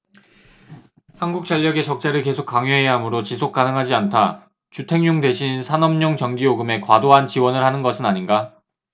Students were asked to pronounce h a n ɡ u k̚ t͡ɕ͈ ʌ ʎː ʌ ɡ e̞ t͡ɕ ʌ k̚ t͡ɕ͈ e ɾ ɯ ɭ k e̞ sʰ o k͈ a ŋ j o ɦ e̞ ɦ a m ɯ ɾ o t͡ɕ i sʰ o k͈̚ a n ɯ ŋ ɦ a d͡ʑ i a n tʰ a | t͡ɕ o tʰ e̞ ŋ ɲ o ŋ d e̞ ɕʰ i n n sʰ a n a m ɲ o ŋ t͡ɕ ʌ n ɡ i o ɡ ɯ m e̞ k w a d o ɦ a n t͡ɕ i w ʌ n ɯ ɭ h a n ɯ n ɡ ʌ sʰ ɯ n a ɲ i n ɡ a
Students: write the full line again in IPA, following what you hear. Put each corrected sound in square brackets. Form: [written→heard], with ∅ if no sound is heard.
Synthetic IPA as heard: h a n ɡ u k̚ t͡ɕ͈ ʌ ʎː ʌ ɡ e̞ t͡ɕ ʌ k̚ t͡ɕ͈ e ɾ ɯ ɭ k e̞ sʰ o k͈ a ŋ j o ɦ e̞ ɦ a m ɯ ɾ o t͡ɕ i sʰ o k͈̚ a n ɯ ŋ ɦ a d͡ʑ i a n tʰ a | t͡ɕ [o→u] tʰ e̞ ŋ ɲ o ŋ d e̞ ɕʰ i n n sʰ a n [a→ʌ] m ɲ o ŋ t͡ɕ ʌ [n→ŋ] ɡ i o ɡ ɯ m e̞ k w a d o ɦ a n t͡ɕ i w ʌ n ɯ ɭ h a n ɯ n ɡ ʌ sʰ ɯ n a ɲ i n ɡ a

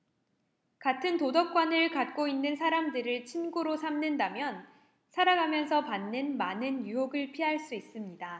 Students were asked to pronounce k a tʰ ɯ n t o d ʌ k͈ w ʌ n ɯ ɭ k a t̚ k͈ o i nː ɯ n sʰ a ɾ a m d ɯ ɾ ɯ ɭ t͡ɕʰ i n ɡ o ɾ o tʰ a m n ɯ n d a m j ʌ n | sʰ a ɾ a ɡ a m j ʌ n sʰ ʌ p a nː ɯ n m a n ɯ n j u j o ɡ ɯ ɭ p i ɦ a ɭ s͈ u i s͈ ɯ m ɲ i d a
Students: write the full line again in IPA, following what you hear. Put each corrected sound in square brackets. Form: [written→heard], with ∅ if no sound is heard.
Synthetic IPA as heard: k a tʰ ɯ n t o d ʌ k͈ w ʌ n ɯ ɭ k a t̚ k͈ o i nː ɯ n sʰ a ɾ a m d ɯ ɾ ɯ ɭ t͡ɕʰ i n ɡ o ɾ o [tʰ→sʰ] a m n ɯ n d a m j ʌ n | sʰ a ɾ a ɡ a m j ʌ n sʰ ʌ p a nː ɯ n m a n ɯ n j u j o ɡ ɯ ɭ [p→pʰ] i ɦ a ɭ s͈ u i s͈ ɯ m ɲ i d a

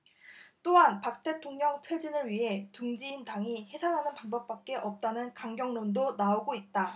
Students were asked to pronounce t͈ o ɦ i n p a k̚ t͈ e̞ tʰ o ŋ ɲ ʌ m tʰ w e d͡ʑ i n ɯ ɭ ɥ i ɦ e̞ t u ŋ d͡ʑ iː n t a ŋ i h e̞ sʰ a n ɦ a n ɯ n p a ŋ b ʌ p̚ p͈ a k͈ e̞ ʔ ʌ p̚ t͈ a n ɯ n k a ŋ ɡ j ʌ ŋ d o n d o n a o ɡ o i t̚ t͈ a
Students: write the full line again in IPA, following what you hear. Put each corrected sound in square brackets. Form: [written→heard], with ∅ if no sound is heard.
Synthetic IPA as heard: t͈ o ɦ [i→a] n p a k̚ t͈ e̞ tʰ o ŋ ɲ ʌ [m→ŋ] tʰ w e d͡ʑ i n ɯ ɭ ɥ i ɦ e̞ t u ŋ d͡ʑ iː n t a ŋ i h e̞ sʰ a n ɦ a n ɯ n p a ŋ b ʌ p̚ p͈ a k͈ e̞ ʔ ʌ p̚ t͈ a n ɯ n k a ŋ ɡ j ʌ ŋ [d→n] o n d o n a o ɡ o i t̚ t͈ a

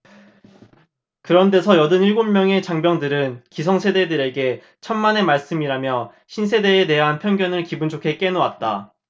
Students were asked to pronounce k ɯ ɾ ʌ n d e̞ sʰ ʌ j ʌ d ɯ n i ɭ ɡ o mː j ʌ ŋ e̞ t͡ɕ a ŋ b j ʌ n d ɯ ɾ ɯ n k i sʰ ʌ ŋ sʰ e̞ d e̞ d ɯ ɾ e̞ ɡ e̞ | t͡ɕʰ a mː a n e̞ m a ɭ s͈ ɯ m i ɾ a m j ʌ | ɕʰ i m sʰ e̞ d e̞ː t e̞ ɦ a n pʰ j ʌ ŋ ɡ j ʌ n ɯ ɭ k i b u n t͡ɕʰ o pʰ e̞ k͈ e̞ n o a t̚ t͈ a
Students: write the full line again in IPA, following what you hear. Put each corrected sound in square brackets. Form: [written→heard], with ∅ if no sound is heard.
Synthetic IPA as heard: k ɯ ɾ ʌ n d e̞ sʰ ʌ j ʌ d ɯ n i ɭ ɡ o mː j ʌ ŋ e̞ t͡ɕ a ŋ b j ʌ [n→ŋ] d ɯ ɾ ɯ n k i sʰ ʌ ŋ sʰ e̞ d e̞ d ɯ ɾ e̞ ɡ e̞ | t͡ɕʰ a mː a n e̞ m a ɭ s͈ ɯ m i ɾ a m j ʌ | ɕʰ i [m→n] sʰ e̞ d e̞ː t e̞ ɦ a n pʰ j ʌ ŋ ɡ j ʌ n ɯ ɭ k i b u n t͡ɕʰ o [pʰ→kʰ] e̞ k͈ e̞ n o a t̚ t͈ a

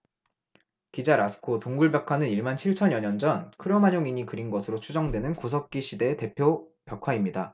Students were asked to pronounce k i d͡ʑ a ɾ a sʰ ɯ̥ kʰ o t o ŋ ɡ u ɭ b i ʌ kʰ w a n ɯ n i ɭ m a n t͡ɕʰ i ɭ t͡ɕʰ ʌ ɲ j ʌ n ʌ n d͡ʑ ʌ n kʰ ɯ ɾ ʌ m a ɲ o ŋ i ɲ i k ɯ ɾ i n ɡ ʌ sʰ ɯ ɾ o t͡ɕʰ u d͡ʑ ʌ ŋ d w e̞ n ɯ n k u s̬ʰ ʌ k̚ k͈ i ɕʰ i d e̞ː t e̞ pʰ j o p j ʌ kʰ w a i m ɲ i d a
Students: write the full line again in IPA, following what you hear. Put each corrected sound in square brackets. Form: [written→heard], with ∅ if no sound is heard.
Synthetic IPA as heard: k i d͡ʑ a ɾ a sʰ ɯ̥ kʰ o t o ŋ ɡ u ɭ b [i→j] ʌ kʰ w a n ɯ n i ɭ m a n t͡ɕʰ i ɭ t͡ɕʰ ʌ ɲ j ʌ [n→ɲ] ʌ n d͡ʑ ʌ n kʰ ɯ ɾ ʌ m a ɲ o ŋ i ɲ i k ɯ ɾ i n ɡ ʌ sʰ ɯ ɾ o t͡ɕʰ u d͡ʑ ʌ ŋ d w e̞ n ɯ n k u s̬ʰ ʌ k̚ k͈ i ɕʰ i d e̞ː t e̞ pʰ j o p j ʌ kʰ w a i m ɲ i d a

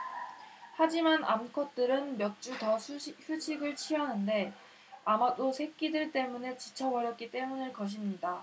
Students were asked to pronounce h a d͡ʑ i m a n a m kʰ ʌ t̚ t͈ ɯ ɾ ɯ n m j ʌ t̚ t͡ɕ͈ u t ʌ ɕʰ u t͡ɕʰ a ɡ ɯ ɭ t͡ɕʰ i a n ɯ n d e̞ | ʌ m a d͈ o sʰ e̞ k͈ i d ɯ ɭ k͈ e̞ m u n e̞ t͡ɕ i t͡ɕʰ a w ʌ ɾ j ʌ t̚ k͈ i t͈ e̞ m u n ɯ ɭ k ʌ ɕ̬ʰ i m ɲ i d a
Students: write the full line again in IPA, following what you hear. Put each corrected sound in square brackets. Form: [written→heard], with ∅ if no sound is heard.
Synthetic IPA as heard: h a d͡ʑ i m a n a m kʰ ʌ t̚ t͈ ɯ ɾ ɯ n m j ʌ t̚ t͡ɕ͈ u t ʌ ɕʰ u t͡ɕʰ [a→i] ɡ ɯ ɭ t͡ɕʰ i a n ɯ n d e̞ | [ʌ→a] m a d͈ o sʰ e̞ k͈ i d ɯ ɭ [k͈→t͈] e̞ m u n e̞ t͡ɕ i t͡ɕʰ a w ʌ ɾ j ʌ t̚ k͈ i t͈ e̞ m u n ɯ ɭ k ʌ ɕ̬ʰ i m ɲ i d a

